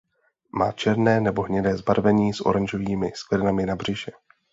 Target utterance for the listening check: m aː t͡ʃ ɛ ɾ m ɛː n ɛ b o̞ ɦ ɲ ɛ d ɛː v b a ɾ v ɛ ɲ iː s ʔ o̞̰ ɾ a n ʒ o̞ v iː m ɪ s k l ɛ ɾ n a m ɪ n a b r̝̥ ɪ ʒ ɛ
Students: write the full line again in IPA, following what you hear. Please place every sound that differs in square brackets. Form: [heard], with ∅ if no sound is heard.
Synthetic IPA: m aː t͡ʃ ɛ ɾ [n] ɛː n ɛ b o̞ ɦ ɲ ɛ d ɛː [z] b a ɾ v ɛ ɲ iː s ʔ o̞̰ ɾ a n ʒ o̞ v iː m ɪ s k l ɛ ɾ n a m ɪ n a b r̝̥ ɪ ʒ ɛ